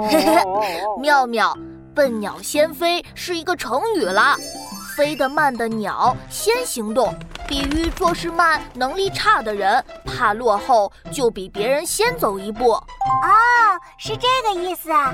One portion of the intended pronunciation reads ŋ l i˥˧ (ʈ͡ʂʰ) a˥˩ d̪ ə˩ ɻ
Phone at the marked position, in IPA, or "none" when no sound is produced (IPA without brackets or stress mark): ʈ͡ʂʰ